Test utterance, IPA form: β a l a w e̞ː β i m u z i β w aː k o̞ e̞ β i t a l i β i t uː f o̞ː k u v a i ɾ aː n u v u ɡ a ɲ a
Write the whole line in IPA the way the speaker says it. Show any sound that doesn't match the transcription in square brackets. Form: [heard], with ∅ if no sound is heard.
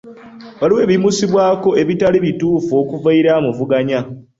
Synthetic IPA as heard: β a l [i] w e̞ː β i m u [s] i β w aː k o̞ e̞ β i t a l i β i t uː f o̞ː k u v a i ɾ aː [m] u v u ɡ a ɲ a